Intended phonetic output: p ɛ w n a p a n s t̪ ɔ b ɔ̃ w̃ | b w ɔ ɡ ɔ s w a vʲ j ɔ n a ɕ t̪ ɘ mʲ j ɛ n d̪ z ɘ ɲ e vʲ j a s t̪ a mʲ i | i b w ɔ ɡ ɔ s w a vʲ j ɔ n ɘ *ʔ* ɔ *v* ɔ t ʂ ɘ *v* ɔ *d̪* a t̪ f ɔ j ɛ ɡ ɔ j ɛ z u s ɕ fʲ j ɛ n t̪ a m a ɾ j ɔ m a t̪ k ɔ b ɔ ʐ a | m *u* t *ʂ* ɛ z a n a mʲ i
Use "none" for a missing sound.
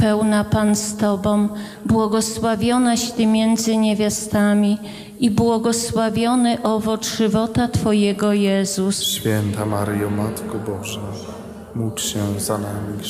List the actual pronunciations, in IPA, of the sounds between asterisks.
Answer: ʔ, v, v, t̪, u, ɕ

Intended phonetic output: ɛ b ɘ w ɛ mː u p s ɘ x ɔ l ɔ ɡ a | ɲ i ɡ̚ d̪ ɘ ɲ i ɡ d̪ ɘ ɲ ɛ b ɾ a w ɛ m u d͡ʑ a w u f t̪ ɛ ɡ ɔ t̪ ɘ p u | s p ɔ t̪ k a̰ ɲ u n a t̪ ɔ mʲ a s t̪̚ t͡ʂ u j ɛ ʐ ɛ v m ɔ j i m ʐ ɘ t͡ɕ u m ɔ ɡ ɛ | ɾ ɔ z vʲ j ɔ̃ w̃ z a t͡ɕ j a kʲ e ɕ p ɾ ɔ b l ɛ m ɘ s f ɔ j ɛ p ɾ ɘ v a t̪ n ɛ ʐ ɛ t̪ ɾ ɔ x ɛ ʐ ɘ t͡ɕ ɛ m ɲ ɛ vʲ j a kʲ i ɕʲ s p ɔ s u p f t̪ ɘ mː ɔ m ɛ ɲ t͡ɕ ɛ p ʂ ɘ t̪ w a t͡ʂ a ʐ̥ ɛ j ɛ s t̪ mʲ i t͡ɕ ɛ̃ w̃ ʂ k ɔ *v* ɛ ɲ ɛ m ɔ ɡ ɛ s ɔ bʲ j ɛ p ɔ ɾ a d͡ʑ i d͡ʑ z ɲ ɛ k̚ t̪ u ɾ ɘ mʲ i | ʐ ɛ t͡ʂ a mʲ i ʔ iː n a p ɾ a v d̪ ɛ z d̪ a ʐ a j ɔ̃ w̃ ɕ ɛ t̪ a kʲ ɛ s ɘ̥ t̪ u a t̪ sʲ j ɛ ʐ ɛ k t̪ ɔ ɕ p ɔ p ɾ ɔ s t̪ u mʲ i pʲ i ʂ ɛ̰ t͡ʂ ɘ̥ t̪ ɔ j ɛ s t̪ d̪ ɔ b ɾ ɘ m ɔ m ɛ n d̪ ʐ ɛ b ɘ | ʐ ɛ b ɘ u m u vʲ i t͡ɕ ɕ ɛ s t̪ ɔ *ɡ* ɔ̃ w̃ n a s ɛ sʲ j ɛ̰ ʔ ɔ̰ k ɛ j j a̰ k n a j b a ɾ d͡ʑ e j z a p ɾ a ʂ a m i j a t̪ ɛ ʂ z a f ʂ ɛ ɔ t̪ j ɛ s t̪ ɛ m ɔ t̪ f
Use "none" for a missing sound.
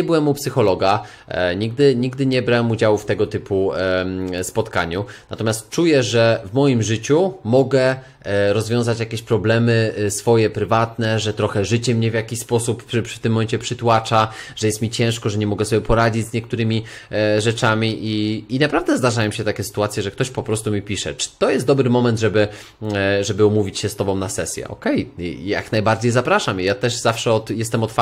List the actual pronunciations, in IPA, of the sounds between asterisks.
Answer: ʐ, b

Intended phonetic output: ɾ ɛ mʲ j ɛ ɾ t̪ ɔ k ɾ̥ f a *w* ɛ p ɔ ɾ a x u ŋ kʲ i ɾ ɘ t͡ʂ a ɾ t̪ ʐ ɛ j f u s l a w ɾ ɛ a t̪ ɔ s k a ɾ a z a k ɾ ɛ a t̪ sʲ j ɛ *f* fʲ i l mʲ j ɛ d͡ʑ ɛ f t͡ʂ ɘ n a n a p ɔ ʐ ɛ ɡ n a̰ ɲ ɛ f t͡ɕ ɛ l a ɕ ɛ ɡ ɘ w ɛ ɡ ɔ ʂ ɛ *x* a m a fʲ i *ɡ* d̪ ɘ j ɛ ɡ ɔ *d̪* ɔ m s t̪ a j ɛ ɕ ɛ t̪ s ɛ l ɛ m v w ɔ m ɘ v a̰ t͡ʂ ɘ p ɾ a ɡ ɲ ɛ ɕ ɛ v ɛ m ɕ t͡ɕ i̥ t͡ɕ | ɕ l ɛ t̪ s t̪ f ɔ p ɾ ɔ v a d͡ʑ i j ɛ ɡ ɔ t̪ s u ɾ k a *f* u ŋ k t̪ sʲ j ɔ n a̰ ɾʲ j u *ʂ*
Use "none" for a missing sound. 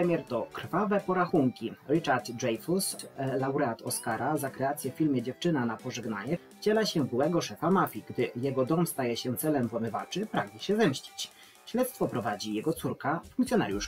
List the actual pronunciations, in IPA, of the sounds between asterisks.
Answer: v, f, f, ɡ, d̪, f, ʂ

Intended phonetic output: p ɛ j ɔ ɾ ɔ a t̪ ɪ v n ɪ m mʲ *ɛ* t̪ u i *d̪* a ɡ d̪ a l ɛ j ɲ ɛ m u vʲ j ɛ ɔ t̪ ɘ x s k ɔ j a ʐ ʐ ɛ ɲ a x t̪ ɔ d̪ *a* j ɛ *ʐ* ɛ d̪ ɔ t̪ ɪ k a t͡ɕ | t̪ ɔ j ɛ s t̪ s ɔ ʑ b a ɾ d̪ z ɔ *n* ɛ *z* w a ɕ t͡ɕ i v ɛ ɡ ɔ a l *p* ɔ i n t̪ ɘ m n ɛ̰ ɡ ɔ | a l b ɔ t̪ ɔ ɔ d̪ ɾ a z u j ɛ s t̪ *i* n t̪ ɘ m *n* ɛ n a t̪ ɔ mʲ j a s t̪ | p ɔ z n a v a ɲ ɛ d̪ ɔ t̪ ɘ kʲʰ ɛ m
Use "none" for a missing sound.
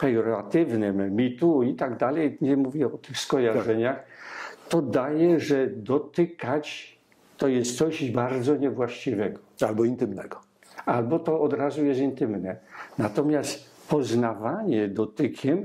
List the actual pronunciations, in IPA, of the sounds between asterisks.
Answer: i, t̪, a, ʐ, ɲ, v, b, i, n

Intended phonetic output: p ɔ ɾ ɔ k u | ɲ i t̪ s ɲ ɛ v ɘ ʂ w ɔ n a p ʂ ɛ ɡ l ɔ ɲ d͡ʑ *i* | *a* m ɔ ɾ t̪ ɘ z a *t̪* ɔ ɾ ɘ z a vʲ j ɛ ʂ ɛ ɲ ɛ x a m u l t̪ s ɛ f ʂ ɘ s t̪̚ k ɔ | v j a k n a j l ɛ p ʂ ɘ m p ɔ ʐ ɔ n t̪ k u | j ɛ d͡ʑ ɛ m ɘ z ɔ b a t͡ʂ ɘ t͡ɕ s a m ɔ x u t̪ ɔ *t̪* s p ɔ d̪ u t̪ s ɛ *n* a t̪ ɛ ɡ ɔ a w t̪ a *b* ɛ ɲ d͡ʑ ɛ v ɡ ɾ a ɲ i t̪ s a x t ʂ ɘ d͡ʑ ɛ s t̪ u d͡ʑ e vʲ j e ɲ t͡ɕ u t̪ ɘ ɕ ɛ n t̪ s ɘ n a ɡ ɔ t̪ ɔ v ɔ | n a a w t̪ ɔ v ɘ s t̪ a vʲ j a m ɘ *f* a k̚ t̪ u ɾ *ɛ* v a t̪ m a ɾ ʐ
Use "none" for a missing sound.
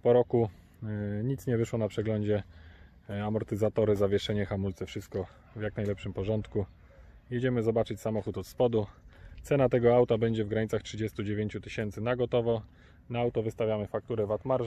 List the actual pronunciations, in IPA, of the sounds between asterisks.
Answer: ɛ, a, t̪, t̪, n, b, f, ɛ

